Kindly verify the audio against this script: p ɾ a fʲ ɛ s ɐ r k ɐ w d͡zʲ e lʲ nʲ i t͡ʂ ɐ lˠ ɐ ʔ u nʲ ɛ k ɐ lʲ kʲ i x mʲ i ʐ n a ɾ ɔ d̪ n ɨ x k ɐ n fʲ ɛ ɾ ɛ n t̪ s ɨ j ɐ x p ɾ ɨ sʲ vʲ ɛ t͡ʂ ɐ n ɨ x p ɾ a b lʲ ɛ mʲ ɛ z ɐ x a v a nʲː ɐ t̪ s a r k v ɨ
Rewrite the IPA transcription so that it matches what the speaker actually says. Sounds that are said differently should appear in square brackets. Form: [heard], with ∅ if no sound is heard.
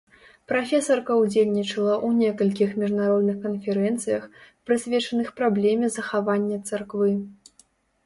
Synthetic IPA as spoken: p ɾ a fʲ ɛ s ɐ r k ɐ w d͡zʲ e lʲ nʲ i t͡ʂ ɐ lˠ ɐ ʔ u nʲ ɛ k ɐ lʲ kʲ i x mʲ i ʐ n a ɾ ɔ d̪ n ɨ x k ɐ n fʲ ɛ ɾ ɛ n t̪ s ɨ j ɐ x p ɾ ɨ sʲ vʲ ɛ t͡ʂ ɐ n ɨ x p ɾ a b lʲ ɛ mʲ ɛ z ɐ x a v a nʲː ɐ t̪ s a r k v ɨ